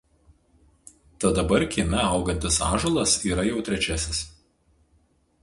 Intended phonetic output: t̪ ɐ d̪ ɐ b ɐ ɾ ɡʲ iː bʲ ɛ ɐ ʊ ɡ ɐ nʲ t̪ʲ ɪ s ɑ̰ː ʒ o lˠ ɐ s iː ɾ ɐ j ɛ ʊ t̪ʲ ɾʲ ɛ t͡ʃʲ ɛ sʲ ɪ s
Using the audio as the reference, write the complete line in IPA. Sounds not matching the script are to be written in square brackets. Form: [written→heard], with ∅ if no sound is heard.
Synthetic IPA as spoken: t̪ ɐ d̪ ɐ b ɐ ɾ [ɡʲ→kʲ] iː [bʲ→mʲ] ɛ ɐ ʊ ɡ ɐ nʲ t̪ʲ ɪ s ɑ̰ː ʒ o lˠ ɐ s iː ɾ ɐ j ɛ ʊ t̪ʲ ɾʲ ɛ t͡ʃʲ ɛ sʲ ɪ s